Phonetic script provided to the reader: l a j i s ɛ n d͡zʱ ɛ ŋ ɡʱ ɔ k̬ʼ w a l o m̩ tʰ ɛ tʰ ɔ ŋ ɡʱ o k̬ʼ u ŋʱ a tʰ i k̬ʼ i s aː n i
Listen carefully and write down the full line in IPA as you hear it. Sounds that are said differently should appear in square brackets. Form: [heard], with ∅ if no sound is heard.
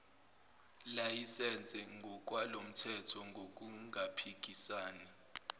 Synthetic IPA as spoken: l a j i s ɛ n d͡zʱ ɛ ŋ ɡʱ ɔ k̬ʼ w a l o m̩ tʰ ɛ tʰ ɔ ŋ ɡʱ o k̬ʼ u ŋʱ a [pʰ] i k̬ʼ i s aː n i